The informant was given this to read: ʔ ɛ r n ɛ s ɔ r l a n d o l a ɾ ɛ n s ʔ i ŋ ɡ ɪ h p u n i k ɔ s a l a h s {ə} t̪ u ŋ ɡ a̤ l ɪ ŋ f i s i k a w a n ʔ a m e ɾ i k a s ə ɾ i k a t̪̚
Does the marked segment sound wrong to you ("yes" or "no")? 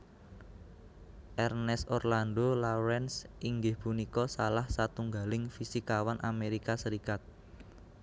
yes